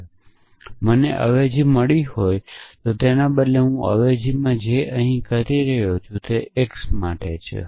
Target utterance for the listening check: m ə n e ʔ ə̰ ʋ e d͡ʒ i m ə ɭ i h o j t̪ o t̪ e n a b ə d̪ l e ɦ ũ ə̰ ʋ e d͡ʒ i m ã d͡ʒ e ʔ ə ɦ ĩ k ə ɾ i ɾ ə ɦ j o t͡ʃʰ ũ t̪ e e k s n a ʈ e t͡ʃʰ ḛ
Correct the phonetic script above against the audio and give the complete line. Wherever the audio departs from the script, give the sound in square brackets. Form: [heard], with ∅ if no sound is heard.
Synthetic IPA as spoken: m ə n e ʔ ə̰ ʋ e d͡ʒ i m ə ɭ i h o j t̪ o t̪ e n a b ə d̪ l e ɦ ũ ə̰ ʋ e d͡ʒ i m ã d͡ʒ e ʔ ə ɦ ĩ k ə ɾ i ɾ ə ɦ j o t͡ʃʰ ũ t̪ e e k s [m] a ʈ e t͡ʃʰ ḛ